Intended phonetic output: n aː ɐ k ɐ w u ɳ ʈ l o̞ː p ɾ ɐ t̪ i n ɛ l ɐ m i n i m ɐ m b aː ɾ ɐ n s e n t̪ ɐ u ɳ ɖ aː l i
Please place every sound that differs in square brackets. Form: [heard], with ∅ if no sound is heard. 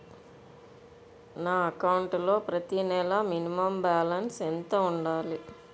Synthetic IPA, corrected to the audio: n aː ɐ k ɐ w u ɳ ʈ l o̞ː p ɾ ɐ t̪ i n ɛ l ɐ m i n i m ɐ m b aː [l] ɐ n s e n t̪ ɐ u ɳ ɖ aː l i